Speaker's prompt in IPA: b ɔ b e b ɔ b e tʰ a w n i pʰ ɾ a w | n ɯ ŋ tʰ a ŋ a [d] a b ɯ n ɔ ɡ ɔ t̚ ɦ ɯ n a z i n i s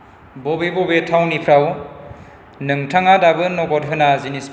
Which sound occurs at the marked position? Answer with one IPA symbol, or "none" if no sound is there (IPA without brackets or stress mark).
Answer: d